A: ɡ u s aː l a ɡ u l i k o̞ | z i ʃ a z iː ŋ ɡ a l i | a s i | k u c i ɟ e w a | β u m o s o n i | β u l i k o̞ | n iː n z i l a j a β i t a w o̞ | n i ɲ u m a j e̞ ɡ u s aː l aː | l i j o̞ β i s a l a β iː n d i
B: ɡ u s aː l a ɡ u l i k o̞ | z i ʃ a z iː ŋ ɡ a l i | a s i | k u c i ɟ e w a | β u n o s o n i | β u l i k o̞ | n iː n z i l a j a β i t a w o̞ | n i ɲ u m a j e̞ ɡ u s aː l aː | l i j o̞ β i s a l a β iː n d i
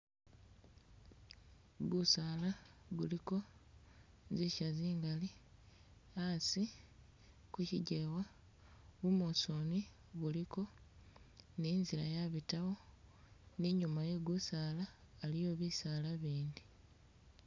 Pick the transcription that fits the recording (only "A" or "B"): A